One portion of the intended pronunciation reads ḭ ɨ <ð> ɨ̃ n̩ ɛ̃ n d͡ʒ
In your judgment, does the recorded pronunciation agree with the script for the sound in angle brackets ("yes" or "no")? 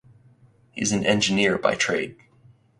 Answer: no